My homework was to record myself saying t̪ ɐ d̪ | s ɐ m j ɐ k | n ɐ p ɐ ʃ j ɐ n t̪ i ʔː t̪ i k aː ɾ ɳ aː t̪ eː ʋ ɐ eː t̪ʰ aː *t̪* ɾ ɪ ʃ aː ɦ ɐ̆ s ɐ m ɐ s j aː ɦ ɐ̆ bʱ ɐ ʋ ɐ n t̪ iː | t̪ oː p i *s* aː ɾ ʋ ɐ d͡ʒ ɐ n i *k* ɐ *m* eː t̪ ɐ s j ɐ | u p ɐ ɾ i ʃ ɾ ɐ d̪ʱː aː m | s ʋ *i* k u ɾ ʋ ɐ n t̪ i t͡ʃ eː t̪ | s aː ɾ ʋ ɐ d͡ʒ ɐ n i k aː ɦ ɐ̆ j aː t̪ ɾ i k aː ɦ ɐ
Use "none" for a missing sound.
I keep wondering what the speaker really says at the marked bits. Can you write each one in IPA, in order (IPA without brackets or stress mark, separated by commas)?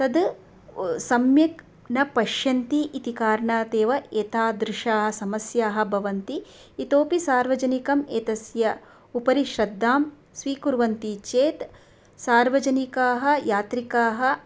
d̪, s, k, m, iː